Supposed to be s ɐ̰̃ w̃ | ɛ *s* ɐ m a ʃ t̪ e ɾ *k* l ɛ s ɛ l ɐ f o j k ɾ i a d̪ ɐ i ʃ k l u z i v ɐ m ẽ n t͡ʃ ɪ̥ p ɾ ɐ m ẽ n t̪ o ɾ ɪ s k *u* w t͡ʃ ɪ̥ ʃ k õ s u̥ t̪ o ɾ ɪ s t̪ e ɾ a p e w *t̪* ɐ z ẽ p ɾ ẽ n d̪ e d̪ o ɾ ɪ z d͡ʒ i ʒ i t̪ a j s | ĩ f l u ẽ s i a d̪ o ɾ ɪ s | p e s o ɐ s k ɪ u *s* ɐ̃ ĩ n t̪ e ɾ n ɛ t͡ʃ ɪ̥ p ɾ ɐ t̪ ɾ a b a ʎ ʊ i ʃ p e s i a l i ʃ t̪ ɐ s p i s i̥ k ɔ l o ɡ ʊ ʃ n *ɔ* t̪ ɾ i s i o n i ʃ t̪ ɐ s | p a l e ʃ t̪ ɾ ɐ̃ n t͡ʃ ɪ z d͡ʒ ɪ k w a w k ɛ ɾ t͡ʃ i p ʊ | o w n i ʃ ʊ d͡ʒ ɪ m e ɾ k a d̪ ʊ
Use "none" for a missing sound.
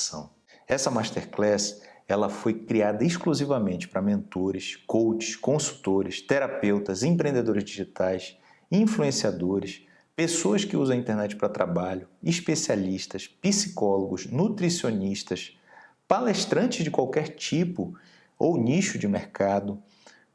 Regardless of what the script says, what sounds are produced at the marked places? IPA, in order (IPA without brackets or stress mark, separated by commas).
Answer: s, k, o, t̪, z, u